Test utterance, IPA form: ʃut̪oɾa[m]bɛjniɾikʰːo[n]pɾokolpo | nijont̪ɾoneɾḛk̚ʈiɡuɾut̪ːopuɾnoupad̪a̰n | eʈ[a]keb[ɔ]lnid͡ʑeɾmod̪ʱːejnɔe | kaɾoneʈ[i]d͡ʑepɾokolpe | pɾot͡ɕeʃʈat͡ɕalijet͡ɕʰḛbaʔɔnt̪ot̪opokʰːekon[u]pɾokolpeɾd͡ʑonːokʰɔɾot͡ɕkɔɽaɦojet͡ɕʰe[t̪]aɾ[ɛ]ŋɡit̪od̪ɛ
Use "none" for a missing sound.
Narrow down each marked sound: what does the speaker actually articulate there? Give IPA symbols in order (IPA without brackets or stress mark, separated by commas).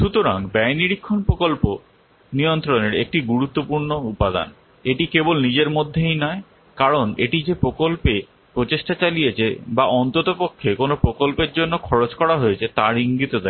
ŋ, n, i, o, i, o, t̪, i